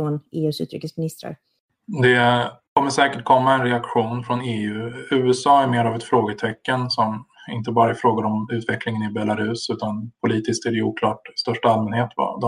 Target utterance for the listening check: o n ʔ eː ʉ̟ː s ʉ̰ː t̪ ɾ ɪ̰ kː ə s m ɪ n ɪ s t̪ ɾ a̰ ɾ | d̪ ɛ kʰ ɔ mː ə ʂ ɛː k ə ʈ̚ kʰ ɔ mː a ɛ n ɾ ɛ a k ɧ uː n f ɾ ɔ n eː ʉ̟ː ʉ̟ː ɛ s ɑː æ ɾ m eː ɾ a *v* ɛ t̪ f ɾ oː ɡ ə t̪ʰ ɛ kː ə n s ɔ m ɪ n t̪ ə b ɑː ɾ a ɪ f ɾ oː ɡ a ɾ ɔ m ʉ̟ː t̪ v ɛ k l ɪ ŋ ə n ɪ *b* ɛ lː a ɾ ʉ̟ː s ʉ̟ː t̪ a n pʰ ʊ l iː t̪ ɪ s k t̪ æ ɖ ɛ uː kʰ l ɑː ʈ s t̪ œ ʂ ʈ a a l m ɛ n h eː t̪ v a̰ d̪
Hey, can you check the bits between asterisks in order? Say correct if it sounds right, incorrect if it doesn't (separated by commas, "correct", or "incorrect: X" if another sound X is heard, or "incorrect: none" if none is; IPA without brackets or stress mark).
correct, correct